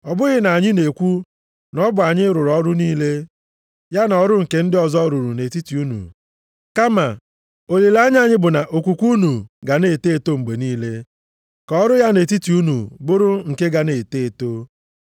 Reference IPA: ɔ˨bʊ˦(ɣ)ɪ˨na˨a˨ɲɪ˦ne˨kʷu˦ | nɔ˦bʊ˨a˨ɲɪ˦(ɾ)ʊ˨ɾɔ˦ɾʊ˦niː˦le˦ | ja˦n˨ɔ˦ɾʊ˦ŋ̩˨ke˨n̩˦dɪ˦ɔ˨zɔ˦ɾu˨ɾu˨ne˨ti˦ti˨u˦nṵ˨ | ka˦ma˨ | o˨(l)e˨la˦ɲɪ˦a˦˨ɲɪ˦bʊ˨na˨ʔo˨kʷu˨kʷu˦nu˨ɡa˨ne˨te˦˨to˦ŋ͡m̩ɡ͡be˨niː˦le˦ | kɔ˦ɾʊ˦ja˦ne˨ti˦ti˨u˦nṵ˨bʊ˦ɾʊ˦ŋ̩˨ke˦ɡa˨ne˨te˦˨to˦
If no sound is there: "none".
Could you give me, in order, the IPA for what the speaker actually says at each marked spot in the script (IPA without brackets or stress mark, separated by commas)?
ɣ, ɾ, l